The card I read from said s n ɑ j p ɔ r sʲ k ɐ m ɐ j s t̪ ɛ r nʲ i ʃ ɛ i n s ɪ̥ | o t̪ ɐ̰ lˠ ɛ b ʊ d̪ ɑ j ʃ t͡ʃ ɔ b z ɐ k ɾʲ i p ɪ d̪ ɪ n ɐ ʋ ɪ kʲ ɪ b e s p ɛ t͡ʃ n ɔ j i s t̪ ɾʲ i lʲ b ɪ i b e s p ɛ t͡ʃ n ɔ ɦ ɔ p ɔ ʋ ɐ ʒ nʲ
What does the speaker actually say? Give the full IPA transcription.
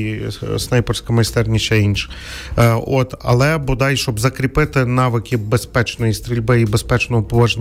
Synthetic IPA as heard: s n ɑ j p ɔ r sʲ k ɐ m ɐ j s t̪ ɛ r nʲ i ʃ ɛ i n ʃ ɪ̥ | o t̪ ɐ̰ lˠ ɛ b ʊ d̪ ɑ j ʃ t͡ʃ ɔ b z ɐ k ɾʲ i p ɪ t̪ ɪ n ɑ ʋ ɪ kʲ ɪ b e s p ɛ t͡ʃ n ɔ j i s t̪ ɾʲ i lʲ b ɪ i b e s p ɛ t͡ʃ n ɔ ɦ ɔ p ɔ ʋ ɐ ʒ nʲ